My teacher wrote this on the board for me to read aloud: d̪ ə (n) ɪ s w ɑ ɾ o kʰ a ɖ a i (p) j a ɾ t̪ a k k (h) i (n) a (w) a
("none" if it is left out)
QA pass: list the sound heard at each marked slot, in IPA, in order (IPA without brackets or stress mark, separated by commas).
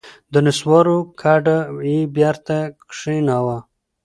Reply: n, b, ʂ, n, w